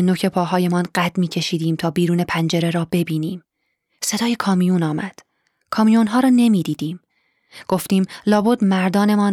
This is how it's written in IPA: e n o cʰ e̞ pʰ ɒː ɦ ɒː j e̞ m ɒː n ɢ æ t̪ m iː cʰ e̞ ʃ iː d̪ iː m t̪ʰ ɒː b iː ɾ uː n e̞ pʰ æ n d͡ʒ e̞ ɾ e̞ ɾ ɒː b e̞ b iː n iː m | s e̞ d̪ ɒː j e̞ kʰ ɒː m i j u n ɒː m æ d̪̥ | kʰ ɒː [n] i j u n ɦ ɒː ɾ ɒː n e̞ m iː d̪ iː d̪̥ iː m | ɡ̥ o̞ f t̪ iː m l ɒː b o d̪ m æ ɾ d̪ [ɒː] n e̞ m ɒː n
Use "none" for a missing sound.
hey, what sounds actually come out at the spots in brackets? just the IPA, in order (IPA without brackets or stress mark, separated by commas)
m, ɒː